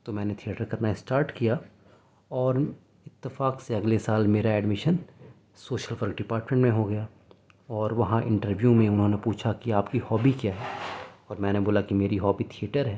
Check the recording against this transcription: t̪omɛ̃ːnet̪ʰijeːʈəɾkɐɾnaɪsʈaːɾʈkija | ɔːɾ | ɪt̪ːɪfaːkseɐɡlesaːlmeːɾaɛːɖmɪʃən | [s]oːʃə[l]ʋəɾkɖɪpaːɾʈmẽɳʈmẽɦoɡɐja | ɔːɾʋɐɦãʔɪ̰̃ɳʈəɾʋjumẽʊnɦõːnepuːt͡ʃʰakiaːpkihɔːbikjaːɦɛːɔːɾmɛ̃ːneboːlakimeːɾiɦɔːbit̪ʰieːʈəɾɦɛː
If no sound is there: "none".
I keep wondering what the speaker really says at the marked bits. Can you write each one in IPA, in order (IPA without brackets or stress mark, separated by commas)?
s, l